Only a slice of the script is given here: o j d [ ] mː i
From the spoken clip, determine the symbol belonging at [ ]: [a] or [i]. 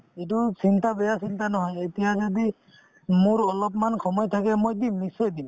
i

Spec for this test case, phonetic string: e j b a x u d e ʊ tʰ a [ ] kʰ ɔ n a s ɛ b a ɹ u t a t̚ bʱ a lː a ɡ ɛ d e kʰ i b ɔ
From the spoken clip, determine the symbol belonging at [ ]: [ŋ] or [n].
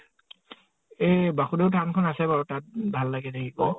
n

